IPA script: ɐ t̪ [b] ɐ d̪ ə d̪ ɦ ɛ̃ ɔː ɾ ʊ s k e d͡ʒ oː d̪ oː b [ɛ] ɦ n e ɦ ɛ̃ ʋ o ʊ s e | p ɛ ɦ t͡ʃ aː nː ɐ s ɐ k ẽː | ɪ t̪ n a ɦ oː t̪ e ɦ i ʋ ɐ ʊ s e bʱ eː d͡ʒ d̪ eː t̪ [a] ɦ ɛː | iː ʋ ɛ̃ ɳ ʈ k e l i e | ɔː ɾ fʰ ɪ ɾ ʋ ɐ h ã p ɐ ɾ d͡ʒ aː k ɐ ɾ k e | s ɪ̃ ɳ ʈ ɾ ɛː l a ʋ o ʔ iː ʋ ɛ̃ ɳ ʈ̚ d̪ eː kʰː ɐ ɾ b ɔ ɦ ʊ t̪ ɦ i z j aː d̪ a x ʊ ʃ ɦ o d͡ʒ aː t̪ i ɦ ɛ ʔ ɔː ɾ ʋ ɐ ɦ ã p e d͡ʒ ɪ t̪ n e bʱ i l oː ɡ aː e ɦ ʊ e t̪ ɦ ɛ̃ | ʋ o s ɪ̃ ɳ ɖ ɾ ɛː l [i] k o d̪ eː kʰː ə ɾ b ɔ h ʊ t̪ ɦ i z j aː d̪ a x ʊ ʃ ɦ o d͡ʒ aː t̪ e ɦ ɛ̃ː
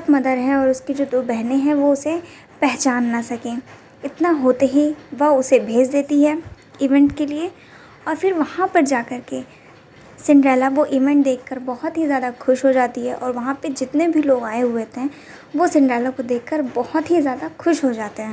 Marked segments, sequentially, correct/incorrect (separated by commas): incorrect, correct, incorrect, incorrect